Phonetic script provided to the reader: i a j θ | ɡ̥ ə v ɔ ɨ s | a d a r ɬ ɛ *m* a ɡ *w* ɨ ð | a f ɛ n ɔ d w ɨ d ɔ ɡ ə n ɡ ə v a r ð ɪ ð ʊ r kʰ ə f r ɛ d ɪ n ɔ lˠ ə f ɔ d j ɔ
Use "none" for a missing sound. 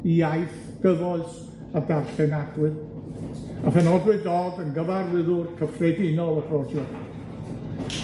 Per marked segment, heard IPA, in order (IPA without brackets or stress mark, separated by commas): n, w